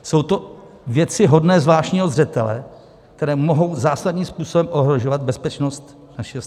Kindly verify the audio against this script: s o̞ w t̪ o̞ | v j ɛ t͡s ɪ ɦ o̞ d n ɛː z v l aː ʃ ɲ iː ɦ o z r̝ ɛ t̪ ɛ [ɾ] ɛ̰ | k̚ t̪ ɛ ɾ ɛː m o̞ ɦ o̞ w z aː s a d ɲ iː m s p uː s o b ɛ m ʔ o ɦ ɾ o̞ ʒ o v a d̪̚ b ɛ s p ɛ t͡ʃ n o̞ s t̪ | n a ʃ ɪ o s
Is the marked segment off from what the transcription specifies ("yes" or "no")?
yes